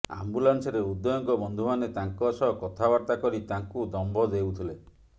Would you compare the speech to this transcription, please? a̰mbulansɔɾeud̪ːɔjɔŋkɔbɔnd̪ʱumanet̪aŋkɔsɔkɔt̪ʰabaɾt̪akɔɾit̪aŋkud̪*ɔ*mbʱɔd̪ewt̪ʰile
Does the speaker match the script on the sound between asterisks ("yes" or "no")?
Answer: yes